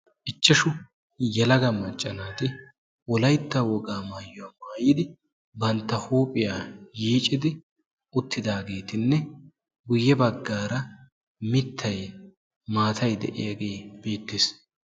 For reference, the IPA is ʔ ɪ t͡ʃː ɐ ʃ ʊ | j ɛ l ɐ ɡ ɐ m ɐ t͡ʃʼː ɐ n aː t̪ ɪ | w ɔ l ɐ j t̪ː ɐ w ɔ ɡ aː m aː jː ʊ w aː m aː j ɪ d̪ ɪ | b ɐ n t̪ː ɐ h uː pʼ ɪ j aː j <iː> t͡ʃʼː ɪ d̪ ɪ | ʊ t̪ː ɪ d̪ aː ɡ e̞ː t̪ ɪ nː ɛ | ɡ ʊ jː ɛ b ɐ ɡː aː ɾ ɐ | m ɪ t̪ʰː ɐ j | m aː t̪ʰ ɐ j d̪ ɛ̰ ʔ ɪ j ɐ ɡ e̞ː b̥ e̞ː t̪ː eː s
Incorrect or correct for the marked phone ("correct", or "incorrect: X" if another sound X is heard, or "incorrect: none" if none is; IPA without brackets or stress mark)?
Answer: correct